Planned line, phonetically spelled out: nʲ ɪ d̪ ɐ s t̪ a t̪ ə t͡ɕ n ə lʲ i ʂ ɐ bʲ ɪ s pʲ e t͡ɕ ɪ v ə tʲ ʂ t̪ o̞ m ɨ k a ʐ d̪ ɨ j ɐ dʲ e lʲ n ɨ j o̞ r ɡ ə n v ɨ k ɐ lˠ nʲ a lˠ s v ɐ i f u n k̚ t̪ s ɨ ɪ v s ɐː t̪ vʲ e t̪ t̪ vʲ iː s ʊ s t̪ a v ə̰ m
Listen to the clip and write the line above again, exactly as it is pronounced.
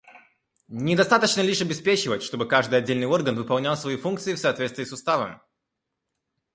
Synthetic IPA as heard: nʲ ɪ d̪ ɐ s t̪ a t̪ ə t͡ɕ n ə lʲ i ʂ ɐ bʲ ɪ s pʲ e t͡ɕ ɪ v ə tʲ ʂ t̪ o̞ b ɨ k a ʐ d̪ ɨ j ɐ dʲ e lʲ n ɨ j o̞ r ɡ ə n v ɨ p ɐ lˠ nʲ a lˠ s v ɐ i f u n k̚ t̪ s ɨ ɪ f s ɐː t̪ vʲ e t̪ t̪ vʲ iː s ʊ s t̪ a v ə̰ m